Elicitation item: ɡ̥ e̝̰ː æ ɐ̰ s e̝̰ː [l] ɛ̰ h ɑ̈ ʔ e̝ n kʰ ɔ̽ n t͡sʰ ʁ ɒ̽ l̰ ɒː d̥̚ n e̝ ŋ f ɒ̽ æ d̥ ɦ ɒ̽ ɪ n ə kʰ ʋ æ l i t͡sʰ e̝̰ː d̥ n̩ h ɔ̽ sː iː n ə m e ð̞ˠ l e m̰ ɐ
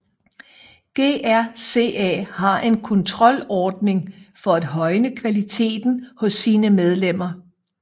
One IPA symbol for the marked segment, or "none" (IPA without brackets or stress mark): none